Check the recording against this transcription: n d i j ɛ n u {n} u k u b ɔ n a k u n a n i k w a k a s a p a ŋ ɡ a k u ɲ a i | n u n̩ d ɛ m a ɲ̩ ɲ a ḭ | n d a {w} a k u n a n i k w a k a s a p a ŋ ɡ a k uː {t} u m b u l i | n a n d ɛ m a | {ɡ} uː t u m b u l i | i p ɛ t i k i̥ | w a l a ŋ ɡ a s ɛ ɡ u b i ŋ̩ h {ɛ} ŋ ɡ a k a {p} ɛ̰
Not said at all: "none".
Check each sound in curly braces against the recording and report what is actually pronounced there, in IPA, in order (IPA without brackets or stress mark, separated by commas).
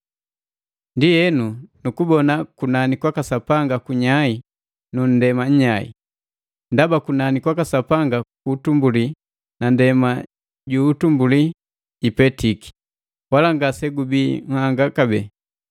n, b, t, ɟ, a, b